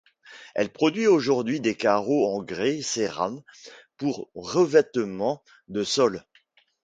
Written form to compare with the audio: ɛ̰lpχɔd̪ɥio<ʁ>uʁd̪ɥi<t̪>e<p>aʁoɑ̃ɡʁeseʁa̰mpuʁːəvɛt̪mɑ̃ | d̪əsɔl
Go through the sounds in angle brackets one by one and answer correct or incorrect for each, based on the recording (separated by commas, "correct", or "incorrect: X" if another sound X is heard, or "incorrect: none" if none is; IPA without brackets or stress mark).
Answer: incorrect: ʒ, incorrect: d̪, incorrect: k